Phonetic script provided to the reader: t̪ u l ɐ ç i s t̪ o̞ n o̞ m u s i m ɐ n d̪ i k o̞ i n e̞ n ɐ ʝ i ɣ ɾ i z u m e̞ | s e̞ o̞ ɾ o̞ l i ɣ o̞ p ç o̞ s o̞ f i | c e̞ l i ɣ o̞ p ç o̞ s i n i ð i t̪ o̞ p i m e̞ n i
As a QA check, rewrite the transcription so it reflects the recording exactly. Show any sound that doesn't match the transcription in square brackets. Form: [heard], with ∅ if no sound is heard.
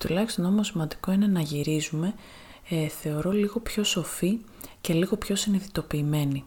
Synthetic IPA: t̪ u l ɐ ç i s t̪ o̞ n o̞ m [o] s i m ɐ n d̪ i k o̞ i n e̞ n ɐ ʝ i [∅] ɾ i z u m e̞ | [θ] e̞ o̞ ɾ o̞ l i ɣ o̞ p ç o̞ s o̞ f i | c e̞ l i ɣ o̞ p ç o̞ s i n i ð i t̪ o̞ p [iː] m e̞ n i